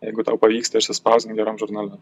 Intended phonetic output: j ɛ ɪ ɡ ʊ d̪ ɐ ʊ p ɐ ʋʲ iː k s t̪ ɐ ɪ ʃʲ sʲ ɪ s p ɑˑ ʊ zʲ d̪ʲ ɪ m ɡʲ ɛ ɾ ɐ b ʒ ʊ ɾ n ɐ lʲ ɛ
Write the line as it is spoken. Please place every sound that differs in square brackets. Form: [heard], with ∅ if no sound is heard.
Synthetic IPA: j ɛ ɪ ɡ ʊ [t̪] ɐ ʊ p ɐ ʋʲ iː k s t̪ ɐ ɪ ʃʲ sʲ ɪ s p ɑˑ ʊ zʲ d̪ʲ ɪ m ɡʲ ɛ ɾ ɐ [m] ʒ ʊ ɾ n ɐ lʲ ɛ